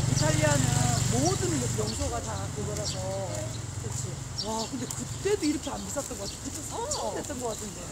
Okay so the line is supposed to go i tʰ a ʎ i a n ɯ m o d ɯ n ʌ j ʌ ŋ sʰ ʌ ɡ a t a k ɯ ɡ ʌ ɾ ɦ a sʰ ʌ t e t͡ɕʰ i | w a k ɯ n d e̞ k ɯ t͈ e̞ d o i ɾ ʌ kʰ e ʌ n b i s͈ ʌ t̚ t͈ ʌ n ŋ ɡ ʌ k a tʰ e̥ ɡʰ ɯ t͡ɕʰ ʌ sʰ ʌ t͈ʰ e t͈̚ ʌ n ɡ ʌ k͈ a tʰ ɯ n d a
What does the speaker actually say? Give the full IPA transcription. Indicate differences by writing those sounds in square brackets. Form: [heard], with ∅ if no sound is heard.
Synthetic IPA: i tʰ a ʎ i a n ɯ m o d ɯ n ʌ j ʌ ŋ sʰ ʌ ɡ a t a k ɯ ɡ ʌ ɾ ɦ a sʰ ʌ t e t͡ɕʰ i | w a k ɯ n d e̞ k ɯ t͈ e̞ d o i ɾ ʌ kʰ e [a] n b i s͈ ʌ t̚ t͈ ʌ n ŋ ɡ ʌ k a tʰ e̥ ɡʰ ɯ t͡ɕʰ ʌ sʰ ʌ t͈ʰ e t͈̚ ʌ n ɡ ʌ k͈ a tʰ ɯ n d [e]

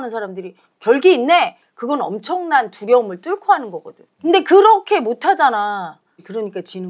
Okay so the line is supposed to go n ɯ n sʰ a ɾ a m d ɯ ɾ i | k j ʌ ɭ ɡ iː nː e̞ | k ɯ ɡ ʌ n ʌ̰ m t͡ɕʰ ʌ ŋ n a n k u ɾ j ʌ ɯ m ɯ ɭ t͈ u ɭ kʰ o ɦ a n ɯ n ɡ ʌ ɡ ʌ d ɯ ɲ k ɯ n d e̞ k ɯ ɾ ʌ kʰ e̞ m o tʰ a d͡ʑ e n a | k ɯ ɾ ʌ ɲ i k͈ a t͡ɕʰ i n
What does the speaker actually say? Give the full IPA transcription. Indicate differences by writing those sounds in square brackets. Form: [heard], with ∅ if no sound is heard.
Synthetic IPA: n ɯ n sʰ a ɾ a m d ɯ ɾ i | k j ʌ ɭ ɡ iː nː e̞ | k ɯ ɡ ʌ n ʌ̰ m t͡ɕʰ ʌ ŋ n a n [t] u ɾ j ʌ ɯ m ɯ ɭ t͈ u ɭ kʰ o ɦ a n ɯ n ɡ ʌ ɡ ʌ d ɯ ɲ k ɯ n d e̞ k ɯ ɾ ʌ kʰ e̞ m o tʰ a d͡ʑ [a] n a | k ɯ ɾ ʌ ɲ i k͈ a [t͡ɕ] i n

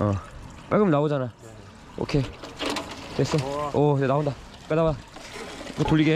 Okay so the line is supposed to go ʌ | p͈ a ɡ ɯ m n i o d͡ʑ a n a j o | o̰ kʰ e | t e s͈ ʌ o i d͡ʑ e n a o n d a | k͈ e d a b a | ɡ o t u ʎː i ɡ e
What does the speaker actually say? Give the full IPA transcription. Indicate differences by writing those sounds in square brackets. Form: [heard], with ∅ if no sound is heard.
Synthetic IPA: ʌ | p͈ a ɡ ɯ m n [a] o d͡ʑ a n a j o | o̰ kʰ e | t e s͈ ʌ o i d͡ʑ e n a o n d a | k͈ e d a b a | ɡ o t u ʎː i ɡ e

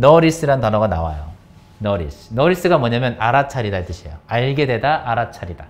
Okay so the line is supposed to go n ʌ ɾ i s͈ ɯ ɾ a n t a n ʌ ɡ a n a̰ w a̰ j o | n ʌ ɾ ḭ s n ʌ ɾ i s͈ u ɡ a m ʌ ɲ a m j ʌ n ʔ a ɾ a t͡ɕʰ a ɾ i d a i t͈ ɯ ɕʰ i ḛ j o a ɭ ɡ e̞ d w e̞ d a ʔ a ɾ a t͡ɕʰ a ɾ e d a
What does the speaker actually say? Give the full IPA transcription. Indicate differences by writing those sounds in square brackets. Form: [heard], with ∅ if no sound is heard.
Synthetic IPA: n ʌ ɾ i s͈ ɯ ɾ a n t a n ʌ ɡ a n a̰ w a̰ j o | n ʌ ɾ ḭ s n ʌ ɾ i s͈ [ɯ] ɡ a m ʌ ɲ a m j ʌ n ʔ a ɾ a t͡ɕʰ a ɾ i d a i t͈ ɯ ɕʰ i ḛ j o a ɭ ɡ e̞ d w e̞ d a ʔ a ɾ a t͡ɕʰ a ɾ [i] d a

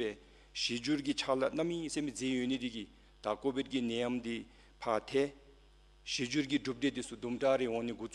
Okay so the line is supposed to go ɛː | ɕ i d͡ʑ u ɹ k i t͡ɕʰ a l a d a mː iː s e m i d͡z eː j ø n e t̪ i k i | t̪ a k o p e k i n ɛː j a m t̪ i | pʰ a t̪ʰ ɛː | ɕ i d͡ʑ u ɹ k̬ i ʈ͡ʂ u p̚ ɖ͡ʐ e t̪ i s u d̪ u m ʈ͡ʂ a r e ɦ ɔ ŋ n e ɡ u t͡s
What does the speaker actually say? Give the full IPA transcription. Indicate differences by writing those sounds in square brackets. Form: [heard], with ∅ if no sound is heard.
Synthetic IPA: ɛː | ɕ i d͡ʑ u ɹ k i t͡ɕʰ a l a [n] a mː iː s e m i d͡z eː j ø n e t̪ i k i | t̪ a k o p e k i n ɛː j a m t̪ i | pʰ a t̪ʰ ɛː | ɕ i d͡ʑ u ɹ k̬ i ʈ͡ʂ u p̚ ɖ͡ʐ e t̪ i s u d̪ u m ʈ͡ʂ a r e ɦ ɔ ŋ n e ɡ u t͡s

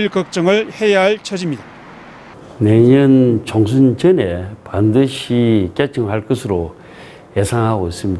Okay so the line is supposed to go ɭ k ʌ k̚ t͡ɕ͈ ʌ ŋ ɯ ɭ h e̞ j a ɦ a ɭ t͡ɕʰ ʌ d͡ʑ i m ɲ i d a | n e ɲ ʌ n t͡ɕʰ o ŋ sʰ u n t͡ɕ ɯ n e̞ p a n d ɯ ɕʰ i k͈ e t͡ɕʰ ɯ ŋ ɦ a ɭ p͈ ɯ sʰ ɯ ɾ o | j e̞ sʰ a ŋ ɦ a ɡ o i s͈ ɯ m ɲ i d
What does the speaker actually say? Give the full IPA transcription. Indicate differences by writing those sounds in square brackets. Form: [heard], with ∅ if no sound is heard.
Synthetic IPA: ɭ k ʌ k̚ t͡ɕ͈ ʌ ŋ ɯ ɭ h e̞ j a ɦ a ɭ t͡ɕʰ ʌ d͡ʑ i m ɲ i d a | n e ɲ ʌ n [t͡ɕ] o ŋ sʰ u n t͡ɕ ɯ n e̞ p a n d ɯ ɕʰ i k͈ e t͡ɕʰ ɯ ŋ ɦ a ɭ [k͈] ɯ sʰ ɯ ɾ o | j e̞ sʰ a ŋ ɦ a ɡ o i s͈ ɯ m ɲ i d

